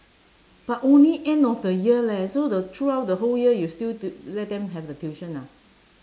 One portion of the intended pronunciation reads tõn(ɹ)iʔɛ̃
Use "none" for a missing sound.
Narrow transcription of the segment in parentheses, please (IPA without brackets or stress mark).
l